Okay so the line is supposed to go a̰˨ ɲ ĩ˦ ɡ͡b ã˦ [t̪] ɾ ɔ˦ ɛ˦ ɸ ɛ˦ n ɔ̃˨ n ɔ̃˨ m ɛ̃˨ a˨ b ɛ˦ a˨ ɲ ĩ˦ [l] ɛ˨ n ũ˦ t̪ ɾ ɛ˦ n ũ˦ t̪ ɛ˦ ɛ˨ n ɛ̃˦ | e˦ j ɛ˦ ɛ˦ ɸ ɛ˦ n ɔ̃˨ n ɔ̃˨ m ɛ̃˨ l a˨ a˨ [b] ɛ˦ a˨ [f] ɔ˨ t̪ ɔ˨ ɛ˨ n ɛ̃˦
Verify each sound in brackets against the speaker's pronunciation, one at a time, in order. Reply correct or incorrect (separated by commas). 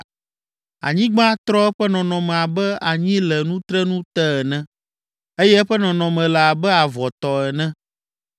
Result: correct, correct, correct, incorrect